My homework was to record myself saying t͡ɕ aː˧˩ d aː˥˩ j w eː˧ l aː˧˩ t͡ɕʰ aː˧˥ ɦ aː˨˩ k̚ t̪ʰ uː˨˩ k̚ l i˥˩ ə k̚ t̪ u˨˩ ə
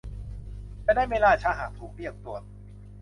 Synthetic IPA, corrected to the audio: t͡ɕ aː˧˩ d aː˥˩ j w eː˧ l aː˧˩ t͡ɕʰ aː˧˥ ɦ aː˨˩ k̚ t̪ʰ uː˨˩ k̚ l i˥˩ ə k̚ t̪ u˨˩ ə